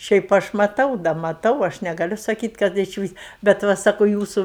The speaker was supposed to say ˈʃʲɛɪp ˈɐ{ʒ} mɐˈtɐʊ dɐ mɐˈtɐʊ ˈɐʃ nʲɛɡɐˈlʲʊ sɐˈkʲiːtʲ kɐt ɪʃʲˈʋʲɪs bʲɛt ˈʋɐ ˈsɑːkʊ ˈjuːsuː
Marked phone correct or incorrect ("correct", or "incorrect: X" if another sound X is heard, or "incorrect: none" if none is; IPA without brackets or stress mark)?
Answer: incorrect: ʃ